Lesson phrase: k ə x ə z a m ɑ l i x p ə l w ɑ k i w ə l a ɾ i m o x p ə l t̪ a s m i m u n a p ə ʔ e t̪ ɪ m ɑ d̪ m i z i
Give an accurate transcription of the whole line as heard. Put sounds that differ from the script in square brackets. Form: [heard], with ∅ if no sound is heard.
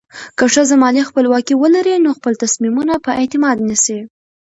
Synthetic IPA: k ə [ʂ] ə z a m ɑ l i x p ə l w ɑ k i w ə l a ɾ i [n] o x p ə l t̪ a s m i m u n a p ə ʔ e t̪ ɪ m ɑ d̪ [n] i [s] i